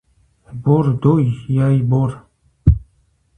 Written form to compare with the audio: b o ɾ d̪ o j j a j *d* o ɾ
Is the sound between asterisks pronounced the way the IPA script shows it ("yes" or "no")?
no